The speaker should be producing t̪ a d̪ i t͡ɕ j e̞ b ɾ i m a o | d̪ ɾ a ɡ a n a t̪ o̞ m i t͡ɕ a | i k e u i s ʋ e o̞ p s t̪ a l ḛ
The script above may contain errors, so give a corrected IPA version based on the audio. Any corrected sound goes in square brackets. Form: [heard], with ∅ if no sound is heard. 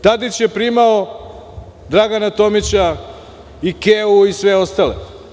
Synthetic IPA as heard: t̪ a d̪ i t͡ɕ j e̞ [p] ɾ i m a o | d̪ ɾ a ɡ a n a t̪ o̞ m i t͡ɕ a | i k e u i s ʋ e o̞ [∅] s t̪ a l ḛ